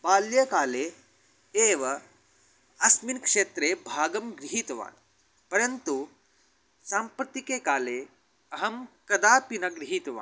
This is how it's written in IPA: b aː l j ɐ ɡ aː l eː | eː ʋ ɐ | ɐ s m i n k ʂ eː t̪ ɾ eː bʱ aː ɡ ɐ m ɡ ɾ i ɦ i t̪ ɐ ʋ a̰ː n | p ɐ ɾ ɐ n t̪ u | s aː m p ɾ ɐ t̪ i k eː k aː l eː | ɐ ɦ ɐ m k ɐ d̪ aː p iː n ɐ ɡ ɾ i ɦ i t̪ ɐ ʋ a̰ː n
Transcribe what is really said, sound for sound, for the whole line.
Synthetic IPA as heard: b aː l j ɐ k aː l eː | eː ʋ ɐ | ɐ s m i n k ʂ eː t̪ ɾ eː bʱ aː ɡ ɐ m ɡ ɾ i ɦ i t̪ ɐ ʋ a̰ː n | p ɐ ɾ ɐ n t̪ u | s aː m p ɾ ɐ t̪ i k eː k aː l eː | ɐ ɦ ɐ m k ɐ d̪ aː p i n ɐ ɡ ɾ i ɦ i t̪ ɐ ʋ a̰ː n